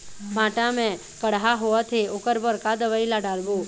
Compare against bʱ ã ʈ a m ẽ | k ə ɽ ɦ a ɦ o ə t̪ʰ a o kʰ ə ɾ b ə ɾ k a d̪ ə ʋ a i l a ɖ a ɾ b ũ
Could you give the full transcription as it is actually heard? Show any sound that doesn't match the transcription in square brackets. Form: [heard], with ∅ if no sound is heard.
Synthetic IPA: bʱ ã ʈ a m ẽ | k ə ɽ ɦ a ɦ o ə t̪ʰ [e] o [k] ə ɾ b ə ɾ k a d̪ ə ʋ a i l a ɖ a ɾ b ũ